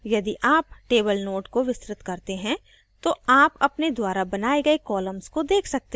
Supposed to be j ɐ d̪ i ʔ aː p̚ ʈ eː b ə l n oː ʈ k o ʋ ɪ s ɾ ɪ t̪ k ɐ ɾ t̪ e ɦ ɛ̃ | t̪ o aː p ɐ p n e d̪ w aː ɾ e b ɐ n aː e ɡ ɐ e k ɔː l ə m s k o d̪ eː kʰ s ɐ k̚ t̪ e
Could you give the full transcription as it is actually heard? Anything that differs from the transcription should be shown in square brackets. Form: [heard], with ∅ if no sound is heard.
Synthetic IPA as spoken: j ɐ d̪ i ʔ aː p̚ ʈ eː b ə l n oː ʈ k o ʋ ɪ s ɾ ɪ t̪ k ɐ ɾ t̪ e ɦ ɛ̃ | t̪ o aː p ɐ p n e d̪ w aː ɾ [a] b ɐ n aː e ɡ ɐ e k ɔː l ə m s k o d̪ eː kʰ s ɐ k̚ t̪ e